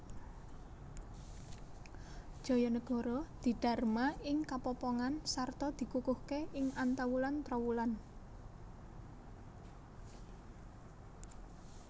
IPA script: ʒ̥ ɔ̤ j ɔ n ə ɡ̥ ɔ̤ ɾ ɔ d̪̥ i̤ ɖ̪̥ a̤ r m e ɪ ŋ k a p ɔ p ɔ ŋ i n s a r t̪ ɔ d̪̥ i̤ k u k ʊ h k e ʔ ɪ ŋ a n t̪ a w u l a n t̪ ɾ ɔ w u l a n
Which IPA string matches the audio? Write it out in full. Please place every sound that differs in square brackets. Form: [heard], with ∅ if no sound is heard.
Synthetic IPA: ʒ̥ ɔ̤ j ɔ n ə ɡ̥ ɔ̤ ɾ ɔ d̪̥ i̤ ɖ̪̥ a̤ r m [a] ɪ ŋ k a p ɔ p ɔ ŋ [a] n s a r t̪ ɔ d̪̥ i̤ k u k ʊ h k e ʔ ɪ ŋ a n t̪ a w u l a n t̪ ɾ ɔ w u l a n